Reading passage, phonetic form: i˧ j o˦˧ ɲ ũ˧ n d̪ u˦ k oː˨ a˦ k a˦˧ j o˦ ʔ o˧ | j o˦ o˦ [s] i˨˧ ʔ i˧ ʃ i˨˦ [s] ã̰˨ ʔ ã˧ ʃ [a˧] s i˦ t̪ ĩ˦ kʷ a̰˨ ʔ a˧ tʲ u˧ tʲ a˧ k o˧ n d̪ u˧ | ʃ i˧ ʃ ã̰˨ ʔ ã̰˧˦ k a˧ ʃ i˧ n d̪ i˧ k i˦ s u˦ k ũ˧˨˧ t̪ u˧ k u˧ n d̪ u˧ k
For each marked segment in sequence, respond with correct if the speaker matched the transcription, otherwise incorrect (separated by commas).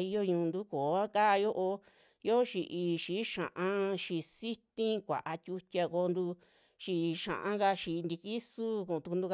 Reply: incorrect, incorrect, incorrect